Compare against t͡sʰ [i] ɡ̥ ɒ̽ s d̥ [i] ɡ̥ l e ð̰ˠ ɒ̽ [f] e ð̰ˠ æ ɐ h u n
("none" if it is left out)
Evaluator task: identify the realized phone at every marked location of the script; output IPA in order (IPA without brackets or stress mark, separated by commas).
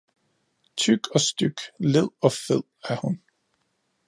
y, y, f